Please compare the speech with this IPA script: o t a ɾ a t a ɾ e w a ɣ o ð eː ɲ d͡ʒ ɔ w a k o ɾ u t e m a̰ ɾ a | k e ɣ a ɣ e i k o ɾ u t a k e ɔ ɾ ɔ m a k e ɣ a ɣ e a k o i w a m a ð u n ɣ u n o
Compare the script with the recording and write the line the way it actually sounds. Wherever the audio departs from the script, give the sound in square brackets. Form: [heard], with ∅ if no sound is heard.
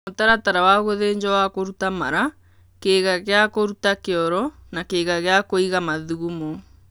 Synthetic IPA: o t a ɾ a t a ɾ [a] w a ɣ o ð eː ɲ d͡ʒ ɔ w a k o ɾ u t [a] m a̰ ɾ a | k e ɣ a ɣ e [a] k o ɾ u t a k e ɔ ɾ ɔ [n] a k e ɣ a ɣ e a k o i [ɣ] a m a ð u [∅] ɣ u [m] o